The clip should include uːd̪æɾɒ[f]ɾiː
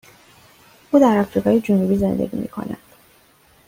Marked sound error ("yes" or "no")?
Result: no